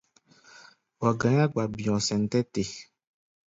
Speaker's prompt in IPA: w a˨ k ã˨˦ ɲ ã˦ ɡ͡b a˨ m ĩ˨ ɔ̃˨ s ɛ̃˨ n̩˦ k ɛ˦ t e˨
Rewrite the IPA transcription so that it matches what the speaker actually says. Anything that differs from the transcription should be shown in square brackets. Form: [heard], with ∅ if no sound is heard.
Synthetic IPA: w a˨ [ɡ] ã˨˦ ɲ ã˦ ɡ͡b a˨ [b] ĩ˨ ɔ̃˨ s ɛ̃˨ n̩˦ [t] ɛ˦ t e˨